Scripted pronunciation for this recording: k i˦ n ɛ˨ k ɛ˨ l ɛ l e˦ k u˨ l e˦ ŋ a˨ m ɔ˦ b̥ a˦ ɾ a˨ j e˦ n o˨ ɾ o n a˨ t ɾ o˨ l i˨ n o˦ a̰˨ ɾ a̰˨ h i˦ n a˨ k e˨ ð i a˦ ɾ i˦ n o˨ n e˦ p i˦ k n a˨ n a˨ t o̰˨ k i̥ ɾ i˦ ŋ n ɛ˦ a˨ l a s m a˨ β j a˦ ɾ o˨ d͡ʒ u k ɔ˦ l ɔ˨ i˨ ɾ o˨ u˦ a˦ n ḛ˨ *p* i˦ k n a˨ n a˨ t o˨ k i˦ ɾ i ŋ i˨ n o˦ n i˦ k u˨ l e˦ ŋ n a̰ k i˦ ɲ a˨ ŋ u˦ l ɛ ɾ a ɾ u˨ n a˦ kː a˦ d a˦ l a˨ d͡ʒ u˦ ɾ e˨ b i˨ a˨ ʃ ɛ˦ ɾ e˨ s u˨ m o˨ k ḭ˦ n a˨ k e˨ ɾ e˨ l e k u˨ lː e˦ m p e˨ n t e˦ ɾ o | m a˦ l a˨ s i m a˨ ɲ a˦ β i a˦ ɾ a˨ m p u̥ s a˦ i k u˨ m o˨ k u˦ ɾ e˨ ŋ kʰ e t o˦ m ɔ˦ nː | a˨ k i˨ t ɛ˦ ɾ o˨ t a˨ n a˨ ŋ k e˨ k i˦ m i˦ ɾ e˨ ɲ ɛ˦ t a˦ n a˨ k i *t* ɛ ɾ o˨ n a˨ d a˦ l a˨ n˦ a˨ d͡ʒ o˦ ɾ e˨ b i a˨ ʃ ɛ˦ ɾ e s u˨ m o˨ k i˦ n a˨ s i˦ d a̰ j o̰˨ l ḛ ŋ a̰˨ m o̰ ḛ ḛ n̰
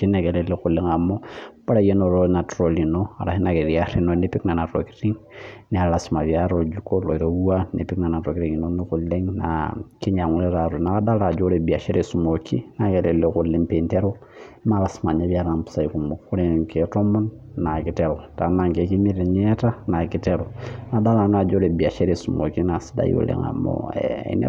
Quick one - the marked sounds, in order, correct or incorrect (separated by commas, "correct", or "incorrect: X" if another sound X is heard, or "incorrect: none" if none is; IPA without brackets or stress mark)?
correct, correct